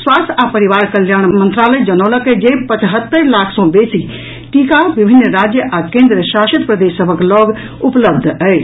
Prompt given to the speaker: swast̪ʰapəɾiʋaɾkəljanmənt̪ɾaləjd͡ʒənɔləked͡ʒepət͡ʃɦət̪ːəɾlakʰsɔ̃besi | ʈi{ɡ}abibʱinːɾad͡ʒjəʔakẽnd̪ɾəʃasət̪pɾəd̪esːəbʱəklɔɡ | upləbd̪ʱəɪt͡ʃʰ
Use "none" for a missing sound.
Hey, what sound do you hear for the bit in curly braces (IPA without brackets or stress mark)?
k